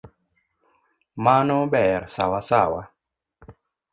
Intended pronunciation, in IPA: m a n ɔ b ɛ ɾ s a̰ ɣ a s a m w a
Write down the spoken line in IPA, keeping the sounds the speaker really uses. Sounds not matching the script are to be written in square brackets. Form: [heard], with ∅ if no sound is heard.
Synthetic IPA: m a n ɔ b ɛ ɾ s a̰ [w] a s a [∅] w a

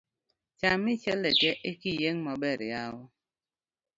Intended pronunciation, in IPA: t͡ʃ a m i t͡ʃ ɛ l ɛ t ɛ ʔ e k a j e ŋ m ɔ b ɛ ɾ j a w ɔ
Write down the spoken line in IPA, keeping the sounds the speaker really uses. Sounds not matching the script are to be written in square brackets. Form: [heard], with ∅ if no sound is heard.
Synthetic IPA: t͡ʃ a m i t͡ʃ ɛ l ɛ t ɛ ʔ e k [i] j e ŋ m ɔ b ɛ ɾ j a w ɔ

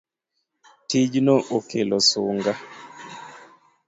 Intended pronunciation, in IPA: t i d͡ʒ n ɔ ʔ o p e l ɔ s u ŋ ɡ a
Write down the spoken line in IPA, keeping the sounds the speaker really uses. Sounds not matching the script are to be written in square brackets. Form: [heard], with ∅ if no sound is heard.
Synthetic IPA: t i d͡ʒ n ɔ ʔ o [k] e l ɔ s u ŋ ɡ a

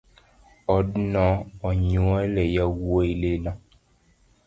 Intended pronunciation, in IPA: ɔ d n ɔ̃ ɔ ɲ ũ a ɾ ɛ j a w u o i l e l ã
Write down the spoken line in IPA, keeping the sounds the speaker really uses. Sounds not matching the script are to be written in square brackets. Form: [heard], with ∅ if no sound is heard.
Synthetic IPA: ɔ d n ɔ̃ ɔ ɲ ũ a [l] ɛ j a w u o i l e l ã

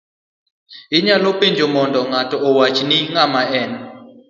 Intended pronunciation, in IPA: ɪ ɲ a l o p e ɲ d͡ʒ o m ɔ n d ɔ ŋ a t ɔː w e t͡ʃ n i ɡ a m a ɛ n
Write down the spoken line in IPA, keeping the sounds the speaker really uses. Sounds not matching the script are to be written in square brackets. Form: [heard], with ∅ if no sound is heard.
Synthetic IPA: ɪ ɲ a l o p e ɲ d͡ʒ o m ɔ n d ɔ ŋ a t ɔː w [a] t͡ʃ n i [ŋ] a m a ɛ n

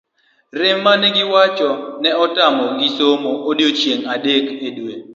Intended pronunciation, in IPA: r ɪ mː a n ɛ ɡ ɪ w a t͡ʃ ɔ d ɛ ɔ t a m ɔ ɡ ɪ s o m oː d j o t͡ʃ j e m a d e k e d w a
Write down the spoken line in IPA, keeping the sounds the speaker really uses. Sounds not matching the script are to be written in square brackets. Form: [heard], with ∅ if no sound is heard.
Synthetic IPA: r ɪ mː a n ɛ ɡ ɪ w a t͡ʃ ɔ [n] ɛ ɔ t a m ɔ ɡ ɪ s o m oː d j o t͡ʃ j e [ŋ] a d e k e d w [e]

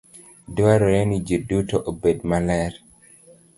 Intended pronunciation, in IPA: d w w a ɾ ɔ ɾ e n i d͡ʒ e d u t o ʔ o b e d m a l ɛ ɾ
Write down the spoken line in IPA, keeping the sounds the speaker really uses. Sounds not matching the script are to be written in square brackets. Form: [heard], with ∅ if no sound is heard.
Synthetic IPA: d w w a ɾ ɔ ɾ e n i d͡ʒ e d u t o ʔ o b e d m a l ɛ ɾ

